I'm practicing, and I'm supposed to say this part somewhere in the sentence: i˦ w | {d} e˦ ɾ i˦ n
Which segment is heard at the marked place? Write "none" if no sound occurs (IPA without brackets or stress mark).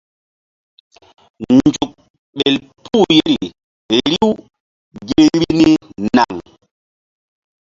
ɡ